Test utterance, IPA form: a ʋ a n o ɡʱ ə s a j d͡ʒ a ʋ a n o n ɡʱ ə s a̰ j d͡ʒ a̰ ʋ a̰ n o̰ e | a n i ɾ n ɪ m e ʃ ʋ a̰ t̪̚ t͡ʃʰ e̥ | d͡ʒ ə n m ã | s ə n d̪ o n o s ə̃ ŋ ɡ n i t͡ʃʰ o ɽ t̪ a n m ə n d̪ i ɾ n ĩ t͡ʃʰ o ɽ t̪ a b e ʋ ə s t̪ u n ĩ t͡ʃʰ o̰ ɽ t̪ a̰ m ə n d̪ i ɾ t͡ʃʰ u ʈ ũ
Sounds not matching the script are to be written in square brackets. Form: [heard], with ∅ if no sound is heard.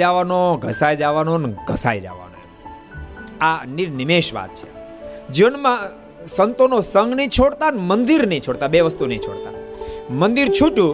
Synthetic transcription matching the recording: a ʋ a n o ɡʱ ə s a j d͡ʒ a ʋ a n o n ɡʱ ə s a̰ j d͡ʒ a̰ ʋ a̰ n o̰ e | a n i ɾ n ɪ m e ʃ ʋ a̰ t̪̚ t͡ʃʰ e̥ | d͡ʒ ə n m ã | s ə n [t̪] o n o s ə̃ ŋ ɡ n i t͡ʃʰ o ɽ t̪ a n m ə n d̪ i ɾ n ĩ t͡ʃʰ o ɽ t̪ a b e ʋ ə s t̪ u n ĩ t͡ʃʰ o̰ ɽ t̪ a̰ m ə n d̪ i ɾ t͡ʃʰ u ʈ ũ